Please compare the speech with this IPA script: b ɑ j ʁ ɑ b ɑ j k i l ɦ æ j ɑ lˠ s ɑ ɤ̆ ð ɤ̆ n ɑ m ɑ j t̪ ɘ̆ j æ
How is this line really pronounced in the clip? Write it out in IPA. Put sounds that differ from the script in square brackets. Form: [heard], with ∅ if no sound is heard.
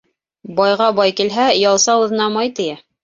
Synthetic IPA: b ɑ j ʁ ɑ b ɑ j k i l ɦ æ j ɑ lˠ s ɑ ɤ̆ ð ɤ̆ n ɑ m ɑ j t̪ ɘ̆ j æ